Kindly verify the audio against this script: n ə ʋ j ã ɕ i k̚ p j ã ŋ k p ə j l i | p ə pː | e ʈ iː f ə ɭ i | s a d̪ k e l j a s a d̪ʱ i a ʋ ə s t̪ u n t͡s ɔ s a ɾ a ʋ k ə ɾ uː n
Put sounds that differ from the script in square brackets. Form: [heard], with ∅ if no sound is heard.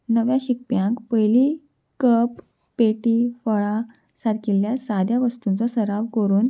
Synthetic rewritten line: n ə ʋ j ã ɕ i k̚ p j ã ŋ k p ə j l i | [k] ə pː | e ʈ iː f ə ɭ [a] | s a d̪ k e l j a s a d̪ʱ [j] a ʋ ə s t̪ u n t͡s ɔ s [ə] ɾ a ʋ k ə ɾ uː n

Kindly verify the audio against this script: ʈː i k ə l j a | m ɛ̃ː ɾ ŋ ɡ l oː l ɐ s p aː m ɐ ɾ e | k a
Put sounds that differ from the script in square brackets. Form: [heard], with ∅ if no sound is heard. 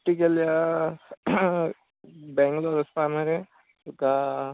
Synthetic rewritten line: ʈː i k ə l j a | [b] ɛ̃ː [∅] ŋ ɡ l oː [ɾ] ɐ s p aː m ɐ ɾ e | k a

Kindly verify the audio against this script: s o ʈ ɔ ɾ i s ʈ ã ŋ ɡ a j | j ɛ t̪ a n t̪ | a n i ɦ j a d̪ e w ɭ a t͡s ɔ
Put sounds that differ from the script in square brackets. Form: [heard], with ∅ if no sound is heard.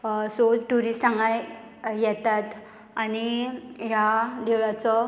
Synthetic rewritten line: s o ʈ [u] ɾ i s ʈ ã ŋ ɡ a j | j ɛ t̪ a [∅] t̪ | a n i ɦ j a d̪ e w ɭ a t͡s ɔ

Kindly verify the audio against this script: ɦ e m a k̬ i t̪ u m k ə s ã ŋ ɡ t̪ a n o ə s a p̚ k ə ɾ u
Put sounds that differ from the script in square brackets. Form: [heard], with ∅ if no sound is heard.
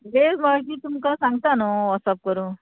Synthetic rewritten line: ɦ e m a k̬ i t̪ u m k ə s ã ŋ ɡ t̪ a n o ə s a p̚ k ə ɾ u

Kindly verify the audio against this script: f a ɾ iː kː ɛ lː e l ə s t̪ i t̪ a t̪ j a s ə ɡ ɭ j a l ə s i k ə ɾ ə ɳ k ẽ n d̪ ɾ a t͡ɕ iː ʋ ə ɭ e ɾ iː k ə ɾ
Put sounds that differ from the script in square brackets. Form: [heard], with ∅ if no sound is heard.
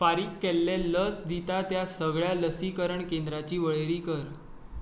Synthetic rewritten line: f a ɾ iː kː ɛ lː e l ə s [d̪] i t̪ a t̪ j a s ə ɡ ɭ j a l ə s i k ə ɾ ə ɳ k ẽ n d̪ ɾ a t͡ɕ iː ʋ ə ɭ e ɾ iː k ə ɾ

